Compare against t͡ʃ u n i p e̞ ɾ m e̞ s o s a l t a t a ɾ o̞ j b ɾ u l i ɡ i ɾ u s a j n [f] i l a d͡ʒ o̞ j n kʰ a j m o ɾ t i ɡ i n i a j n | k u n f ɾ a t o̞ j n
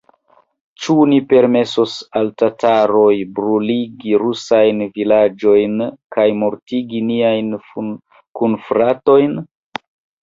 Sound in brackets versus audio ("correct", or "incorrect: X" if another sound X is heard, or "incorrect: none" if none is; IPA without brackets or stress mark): incorrect: v